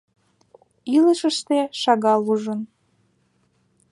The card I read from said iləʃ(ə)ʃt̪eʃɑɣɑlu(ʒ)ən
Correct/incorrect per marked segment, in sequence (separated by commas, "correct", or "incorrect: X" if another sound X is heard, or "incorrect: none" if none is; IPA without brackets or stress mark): correct, correct